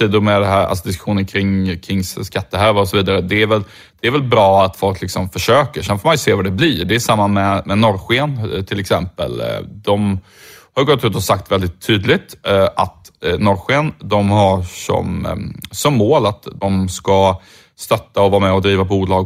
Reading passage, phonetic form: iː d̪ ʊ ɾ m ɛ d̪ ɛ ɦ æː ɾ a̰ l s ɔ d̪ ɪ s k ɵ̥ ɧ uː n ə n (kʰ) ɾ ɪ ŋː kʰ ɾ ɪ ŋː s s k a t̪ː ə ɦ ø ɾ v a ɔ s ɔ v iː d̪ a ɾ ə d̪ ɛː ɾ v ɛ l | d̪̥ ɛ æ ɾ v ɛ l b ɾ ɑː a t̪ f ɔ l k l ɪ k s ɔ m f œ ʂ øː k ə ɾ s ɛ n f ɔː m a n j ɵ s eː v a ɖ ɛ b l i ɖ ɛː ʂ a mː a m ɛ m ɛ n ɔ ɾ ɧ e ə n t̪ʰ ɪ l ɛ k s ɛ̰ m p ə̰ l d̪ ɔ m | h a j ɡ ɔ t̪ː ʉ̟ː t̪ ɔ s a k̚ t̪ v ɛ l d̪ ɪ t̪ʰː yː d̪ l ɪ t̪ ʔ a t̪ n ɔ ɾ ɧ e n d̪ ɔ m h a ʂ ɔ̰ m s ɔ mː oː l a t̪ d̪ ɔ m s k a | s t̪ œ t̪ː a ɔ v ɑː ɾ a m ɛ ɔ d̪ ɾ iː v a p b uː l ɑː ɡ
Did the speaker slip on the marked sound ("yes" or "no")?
no